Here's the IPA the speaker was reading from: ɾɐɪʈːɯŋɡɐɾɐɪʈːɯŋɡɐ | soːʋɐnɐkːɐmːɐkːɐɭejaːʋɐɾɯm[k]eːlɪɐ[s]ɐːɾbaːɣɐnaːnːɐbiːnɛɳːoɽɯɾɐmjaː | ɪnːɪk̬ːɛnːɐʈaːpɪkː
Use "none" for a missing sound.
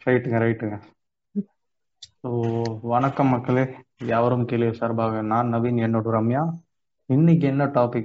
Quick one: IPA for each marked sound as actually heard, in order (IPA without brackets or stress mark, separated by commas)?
k, s